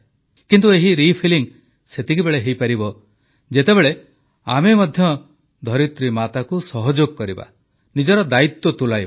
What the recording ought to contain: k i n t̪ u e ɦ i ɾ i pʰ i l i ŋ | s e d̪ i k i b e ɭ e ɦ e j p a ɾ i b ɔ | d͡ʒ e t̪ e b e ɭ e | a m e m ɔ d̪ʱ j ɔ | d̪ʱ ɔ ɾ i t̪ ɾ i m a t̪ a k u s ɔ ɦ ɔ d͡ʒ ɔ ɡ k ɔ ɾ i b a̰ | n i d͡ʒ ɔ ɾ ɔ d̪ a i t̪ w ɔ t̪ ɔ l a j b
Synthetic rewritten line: k i n t̪ u e ɦ i ɾ i pʰ i l i ŋ | s e t̪ i k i b e ɭ e ɦ e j p a ɾ i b ɔ | d͡ʒ e t̪ e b e ɭ e | a m e m ɔ d̪ʱ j ɔ | d̪ʱ ɔ ɾ i t̪ ɾ i m a t̪ a k u s ɔ ɦ ɔ d͡ʒ o ɡ k ɔ ɾ i b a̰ | n i d͡ʒ ɔ ɾ ɔ d̪ a i t̪ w ɔ t̪ u l a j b